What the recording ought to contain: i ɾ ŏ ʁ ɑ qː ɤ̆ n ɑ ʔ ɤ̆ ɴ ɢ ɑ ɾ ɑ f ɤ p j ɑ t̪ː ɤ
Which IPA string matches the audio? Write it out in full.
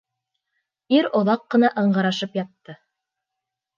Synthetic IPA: i ɾ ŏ ð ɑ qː ɤ̆ n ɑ ʔ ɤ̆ ɴ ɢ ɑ ɾ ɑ ʃ ɤ p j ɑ t̪ː ɤ